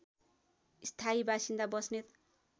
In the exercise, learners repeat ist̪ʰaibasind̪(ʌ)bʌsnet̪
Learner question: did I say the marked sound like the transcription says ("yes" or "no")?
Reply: no